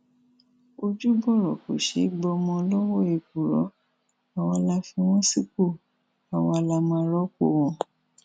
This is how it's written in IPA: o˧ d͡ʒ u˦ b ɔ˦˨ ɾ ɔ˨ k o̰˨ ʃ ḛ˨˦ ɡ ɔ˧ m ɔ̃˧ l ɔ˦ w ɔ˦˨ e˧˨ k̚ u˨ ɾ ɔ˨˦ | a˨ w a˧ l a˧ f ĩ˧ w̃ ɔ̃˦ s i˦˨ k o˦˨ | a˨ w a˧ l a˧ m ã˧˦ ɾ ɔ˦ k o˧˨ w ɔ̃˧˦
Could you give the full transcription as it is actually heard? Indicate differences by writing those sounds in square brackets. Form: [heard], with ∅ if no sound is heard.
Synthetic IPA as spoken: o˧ d͡ʒ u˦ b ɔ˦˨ ɾ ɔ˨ k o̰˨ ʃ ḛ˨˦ [ɡ͡b] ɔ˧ m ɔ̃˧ l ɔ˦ w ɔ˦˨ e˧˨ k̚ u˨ ɾ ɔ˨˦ | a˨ w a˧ l a˧ f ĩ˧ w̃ ɔ̃˦ s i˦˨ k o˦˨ | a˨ w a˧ l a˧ m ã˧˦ ɾ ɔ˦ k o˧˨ w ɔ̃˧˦